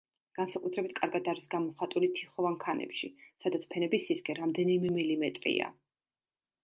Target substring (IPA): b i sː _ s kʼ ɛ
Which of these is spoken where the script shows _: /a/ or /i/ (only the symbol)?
i